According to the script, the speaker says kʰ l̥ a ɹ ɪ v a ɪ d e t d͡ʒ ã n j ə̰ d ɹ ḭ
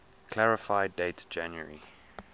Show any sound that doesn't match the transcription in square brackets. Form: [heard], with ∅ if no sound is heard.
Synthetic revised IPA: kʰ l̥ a ɹ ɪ [f] a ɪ d e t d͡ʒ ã n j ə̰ [∅] ɹ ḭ